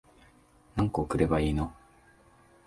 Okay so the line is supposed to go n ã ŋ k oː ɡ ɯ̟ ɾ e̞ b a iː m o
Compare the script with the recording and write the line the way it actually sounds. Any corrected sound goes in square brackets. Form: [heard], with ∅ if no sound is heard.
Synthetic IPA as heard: n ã ŋ k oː [k] ɯ̟ ɾ e̞ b a iː [n] o